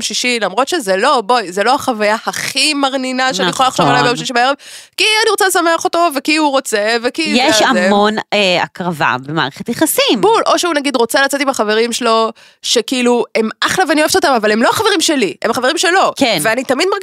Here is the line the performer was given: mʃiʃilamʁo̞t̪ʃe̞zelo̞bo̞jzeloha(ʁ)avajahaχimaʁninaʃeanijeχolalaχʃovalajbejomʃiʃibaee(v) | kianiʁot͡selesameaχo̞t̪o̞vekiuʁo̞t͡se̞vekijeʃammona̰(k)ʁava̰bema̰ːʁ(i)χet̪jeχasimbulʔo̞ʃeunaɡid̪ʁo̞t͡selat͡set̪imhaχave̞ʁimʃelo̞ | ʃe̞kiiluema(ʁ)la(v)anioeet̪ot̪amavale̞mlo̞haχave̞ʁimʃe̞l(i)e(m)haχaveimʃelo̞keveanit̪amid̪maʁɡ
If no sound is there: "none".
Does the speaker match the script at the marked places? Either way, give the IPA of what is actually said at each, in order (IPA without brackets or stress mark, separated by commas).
χ, v, k, e, χ, v, i, m